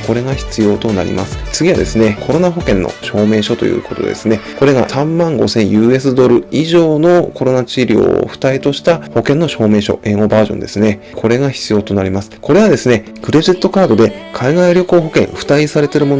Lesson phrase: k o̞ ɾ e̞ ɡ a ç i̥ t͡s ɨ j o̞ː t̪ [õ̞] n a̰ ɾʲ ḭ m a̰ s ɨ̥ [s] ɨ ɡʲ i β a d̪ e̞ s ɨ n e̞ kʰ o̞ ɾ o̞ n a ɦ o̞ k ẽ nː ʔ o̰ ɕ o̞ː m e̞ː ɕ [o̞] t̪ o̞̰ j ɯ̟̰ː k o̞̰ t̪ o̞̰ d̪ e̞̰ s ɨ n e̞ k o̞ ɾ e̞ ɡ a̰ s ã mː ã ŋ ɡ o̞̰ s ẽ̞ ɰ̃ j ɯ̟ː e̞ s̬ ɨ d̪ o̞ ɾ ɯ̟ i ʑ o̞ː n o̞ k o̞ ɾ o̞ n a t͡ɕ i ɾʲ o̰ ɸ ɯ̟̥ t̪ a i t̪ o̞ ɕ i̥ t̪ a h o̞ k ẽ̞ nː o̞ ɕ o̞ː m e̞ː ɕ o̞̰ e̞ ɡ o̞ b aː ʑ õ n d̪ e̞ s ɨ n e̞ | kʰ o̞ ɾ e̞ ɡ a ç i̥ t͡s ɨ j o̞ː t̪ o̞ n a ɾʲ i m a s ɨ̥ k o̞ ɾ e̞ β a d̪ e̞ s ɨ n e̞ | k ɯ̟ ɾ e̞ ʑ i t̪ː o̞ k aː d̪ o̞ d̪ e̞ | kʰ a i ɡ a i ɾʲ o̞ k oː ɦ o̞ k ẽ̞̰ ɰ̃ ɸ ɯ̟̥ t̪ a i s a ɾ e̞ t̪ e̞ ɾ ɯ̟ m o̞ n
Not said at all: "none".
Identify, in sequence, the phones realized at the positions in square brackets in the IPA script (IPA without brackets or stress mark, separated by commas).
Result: o̞, t͡s, o̞